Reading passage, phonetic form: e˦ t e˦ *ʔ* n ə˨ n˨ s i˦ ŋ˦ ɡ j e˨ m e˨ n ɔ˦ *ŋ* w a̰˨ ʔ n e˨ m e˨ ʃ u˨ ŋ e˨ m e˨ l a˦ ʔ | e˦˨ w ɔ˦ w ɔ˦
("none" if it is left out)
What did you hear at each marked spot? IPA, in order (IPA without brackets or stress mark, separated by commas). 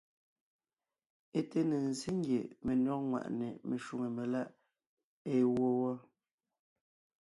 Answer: none, ŋ